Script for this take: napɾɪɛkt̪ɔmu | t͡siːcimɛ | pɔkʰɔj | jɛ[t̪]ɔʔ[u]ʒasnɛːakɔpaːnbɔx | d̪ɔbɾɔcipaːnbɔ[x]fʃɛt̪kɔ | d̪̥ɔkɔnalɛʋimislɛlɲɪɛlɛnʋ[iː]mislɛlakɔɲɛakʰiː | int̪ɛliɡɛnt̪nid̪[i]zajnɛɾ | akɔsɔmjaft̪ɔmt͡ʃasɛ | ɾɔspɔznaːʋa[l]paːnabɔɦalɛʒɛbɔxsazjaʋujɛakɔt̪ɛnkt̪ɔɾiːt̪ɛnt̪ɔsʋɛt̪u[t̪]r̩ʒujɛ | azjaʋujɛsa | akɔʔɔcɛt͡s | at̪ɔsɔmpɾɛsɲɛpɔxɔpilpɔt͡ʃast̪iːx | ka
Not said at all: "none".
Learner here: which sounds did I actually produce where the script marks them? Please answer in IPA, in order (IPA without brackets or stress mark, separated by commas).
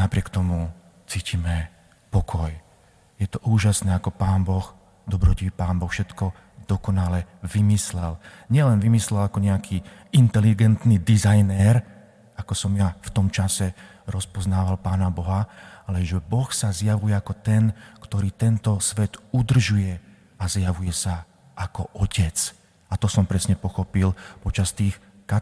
t̪, uː, x, i, i, l, d̪